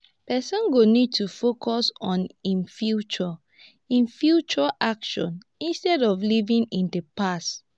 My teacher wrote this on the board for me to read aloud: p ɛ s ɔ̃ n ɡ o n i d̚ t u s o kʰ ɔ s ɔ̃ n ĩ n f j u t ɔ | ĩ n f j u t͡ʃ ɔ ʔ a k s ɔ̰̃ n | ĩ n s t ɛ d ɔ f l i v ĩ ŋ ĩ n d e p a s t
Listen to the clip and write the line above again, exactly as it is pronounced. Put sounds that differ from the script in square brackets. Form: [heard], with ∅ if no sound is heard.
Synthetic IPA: p ɛ s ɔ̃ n ɡ o n i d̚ t u [f] o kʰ ɔ s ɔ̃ n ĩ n f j u [t͡ʃ] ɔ | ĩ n f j u t͡ʃ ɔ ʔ a k [ʃ] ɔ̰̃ n | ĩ n s t ɛ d ɔ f l i v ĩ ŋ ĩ n d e p a s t